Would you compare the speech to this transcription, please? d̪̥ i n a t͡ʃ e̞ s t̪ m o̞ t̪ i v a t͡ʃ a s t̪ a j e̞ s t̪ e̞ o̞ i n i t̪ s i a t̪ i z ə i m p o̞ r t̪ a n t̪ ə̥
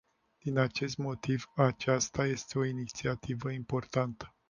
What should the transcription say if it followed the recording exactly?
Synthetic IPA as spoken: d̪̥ i n a t͡ʃ e̞ s t̪ m o̞ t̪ i v a t͡ʃ a s t̪ a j e̞ s t̪ e̞ o̞ i n i t̪ s i a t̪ i v ə i m p o̞ r t̪ a n t̪ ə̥